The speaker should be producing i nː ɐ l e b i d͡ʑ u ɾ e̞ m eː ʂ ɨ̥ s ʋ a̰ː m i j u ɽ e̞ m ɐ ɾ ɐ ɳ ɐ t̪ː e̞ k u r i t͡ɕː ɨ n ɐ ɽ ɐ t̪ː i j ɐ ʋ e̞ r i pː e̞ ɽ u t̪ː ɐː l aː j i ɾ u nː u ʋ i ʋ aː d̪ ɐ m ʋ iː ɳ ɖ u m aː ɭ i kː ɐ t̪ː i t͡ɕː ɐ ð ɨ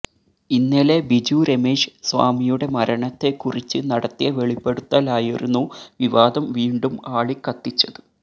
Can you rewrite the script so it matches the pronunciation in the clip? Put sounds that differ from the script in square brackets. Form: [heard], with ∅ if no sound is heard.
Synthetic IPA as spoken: i nː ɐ l e b i d͡ʑ u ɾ e̞ m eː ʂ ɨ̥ s ʋ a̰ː m i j u ɽ e̞ m ɐ ɾ ɐ ɳ ɐ t̪ː e̞ k u r i t͡ɕː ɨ n ɐ ɽ ɐ t̪ː i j ɐ ʋ e̞ [ɭ] i pː e̞ ɽ u t̪ː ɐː l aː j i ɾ u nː u ʋ i ʋ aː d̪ ɐ m ʋ iː ɳ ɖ u m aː ɭ i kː ɐ t̪ː i t͡ɕː ɐ ð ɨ